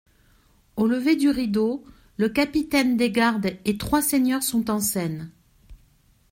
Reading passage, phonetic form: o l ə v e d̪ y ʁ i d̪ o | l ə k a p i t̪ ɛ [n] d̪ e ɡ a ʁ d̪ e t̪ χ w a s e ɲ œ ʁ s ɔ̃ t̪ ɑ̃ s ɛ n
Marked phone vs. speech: correct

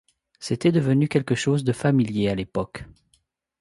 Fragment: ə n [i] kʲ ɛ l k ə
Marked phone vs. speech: incorrect: y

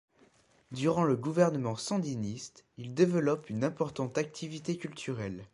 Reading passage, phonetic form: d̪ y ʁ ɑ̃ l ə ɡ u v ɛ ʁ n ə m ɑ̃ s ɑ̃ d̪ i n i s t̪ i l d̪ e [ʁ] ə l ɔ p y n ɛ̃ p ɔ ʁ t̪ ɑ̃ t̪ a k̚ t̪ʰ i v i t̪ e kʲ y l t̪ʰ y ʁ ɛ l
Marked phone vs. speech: incorrect: v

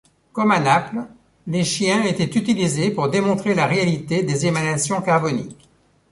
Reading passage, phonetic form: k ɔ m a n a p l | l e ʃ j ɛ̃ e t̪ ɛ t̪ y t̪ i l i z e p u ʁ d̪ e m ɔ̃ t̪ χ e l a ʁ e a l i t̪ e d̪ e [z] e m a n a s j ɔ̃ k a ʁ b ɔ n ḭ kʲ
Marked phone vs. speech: correct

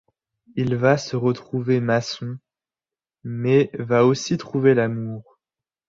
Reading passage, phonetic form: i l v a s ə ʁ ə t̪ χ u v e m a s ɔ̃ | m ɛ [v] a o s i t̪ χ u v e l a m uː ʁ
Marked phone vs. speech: correct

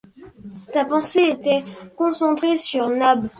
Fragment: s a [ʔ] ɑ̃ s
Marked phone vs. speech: incorrect: p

